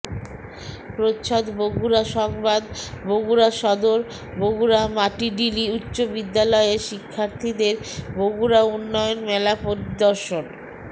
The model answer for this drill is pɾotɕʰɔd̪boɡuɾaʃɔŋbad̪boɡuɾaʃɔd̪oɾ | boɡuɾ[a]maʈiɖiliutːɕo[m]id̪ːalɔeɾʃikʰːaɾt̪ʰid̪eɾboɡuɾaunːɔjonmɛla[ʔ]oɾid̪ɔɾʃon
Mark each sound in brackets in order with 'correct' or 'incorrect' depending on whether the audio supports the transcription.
correct, incorrect, incorrect

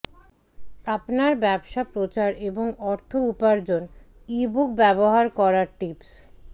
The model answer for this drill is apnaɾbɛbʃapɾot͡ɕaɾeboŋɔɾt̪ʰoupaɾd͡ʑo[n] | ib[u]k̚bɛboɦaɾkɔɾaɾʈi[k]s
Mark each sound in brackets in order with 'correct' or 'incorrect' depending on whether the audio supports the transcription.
correct, correct, incorrect

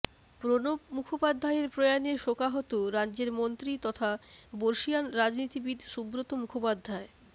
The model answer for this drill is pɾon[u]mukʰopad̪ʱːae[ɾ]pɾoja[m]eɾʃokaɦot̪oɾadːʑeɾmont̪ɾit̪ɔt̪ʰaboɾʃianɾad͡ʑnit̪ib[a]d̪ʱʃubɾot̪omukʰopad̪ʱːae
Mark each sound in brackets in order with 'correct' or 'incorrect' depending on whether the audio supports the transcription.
incorrect, correct, incorrect, incorrect

